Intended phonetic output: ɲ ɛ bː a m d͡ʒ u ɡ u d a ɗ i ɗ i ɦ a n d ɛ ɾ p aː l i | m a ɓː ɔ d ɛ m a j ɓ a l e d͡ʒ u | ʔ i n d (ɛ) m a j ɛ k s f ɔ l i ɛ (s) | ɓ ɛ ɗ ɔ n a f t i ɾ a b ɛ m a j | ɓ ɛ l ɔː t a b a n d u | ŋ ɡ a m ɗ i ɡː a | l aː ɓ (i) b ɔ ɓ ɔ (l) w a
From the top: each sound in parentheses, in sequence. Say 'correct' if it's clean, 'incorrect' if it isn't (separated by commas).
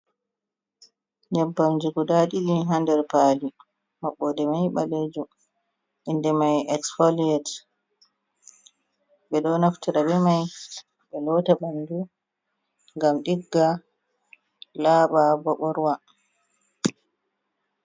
correct, incorrect, incorrect, incorrect